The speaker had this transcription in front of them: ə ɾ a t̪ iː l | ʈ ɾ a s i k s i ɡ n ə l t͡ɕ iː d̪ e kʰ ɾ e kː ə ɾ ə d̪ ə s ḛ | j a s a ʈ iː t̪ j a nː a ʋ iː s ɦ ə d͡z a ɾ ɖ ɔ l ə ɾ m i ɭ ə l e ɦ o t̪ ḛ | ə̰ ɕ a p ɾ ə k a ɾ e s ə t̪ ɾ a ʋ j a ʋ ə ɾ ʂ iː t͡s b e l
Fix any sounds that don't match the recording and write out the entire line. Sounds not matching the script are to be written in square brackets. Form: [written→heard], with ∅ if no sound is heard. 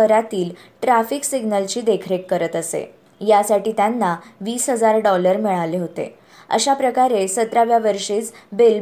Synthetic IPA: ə ɾ a t̪ iː l | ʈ ɾ a [s→f] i k s i ɡ n ə l t͡ɕ iː d̪ e kʰ ɾ e kː ə ɾ ə [d̪→t̪] ə s ḛ | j a s a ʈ iː t̪ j a nː a ʋ iː s ɦ ə d͡z a ɾ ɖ ɔ l ə ɾ m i ɭ [ə→a] l e ɦ o t̪ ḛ | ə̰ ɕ a p ɾ ə k a ɾ e s ə t̪ ɾ a ʋ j a ʋ ə ɾ ʂ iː t͡s b e l